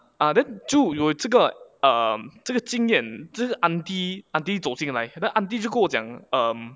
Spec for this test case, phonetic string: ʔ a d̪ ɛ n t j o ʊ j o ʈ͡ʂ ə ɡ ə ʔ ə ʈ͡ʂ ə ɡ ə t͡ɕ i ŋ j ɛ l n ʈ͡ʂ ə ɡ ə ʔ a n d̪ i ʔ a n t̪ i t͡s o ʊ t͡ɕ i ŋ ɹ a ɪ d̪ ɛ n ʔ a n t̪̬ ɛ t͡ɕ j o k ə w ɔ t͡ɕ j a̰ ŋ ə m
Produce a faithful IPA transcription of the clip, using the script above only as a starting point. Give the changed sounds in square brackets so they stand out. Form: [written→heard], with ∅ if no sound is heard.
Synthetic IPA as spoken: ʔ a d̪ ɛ n [t→t͡ɕ] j o ʊ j o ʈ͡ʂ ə ɡ ə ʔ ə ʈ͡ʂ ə ɡ ə t͡ɕ i ŋ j ɛ [l→∅] n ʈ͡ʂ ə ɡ ə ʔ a n [d̪→t̪] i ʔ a n t̪ i t͡s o ʊ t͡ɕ i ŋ [ɹ→l] a ɪ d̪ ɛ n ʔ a n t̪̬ [ɛ→i] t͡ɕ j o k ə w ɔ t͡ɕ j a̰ ŋ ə m

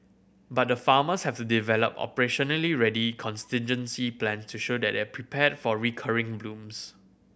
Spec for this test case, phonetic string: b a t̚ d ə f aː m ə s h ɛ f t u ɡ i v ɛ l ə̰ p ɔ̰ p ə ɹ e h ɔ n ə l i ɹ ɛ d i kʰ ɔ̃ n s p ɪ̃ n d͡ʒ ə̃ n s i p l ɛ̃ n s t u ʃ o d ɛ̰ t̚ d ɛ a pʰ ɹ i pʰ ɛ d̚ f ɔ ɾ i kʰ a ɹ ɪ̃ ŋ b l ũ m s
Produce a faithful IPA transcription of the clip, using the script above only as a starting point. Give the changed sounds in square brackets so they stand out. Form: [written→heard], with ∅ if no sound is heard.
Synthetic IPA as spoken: b a t̚ d ə f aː m ə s h ɛ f t u [ɡ→d] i v ɛ l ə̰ p ɔ̰ p ə ɹ e [h→ʃ] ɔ n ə l i ɹ ɛ d i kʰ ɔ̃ n s [p→t] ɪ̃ n d͡ʒ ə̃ n s i p l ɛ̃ n s t u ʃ o d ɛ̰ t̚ d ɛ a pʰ ɹ i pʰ ɛ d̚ f ɔ [ɾ→ɹ] i kʰ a ɹ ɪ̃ ŋ b l ũ m s

